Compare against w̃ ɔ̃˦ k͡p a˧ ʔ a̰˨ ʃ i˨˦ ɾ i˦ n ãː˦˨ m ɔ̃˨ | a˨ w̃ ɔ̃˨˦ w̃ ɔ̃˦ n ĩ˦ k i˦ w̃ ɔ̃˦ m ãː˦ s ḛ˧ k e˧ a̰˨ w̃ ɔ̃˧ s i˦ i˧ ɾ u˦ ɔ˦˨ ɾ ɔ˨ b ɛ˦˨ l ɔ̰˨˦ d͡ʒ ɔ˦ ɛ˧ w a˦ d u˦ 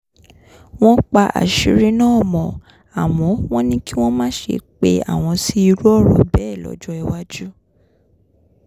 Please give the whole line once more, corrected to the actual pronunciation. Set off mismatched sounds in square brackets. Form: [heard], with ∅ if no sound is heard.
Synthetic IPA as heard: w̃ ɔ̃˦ k͡p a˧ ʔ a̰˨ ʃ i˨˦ ɾ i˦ n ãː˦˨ m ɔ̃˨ | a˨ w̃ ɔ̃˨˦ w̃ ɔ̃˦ n ĩ˦ k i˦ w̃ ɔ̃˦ m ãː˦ [ʃ] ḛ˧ [k͡p] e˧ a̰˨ w̃ ɔ̃˧ s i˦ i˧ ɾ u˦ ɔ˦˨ ɾ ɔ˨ b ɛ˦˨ l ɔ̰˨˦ d͡ʒ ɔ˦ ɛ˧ w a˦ [d͡ʒ] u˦